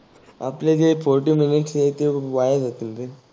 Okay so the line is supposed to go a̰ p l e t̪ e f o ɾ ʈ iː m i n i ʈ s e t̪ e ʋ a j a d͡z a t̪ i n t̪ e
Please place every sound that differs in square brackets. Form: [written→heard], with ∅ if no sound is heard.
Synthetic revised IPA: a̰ p l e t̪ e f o ɾ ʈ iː m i n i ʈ s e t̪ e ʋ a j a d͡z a t̪ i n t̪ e